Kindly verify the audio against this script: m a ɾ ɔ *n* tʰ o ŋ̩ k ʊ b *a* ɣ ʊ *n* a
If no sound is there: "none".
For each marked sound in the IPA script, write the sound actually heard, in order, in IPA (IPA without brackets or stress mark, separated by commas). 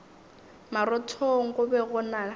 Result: none, ɛ, n